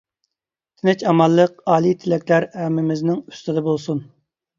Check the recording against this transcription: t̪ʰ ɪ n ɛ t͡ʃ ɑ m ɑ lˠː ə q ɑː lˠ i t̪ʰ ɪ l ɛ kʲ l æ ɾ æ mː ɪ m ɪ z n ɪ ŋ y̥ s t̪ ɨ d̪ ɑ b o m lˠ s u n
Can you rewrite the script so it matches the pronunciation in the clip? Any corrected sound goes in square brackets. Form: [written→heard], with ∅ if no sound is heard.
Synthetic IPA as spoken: t̪ʰ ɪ n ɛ t͡ʃ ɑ m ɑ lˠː ə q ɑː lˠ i t̪ʰ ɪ l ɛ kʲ l æ ɾ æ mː ɪ m ɪ z n ɪ ŋ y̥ s t̪ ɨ d̪ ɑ b o [m→∅] lˠ s u n